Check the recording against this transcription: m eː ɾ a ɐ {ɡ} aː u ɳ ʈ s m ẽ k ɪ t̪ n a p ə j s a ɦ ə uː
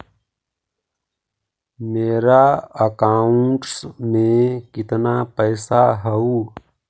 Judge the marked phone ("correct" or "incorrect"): incorrect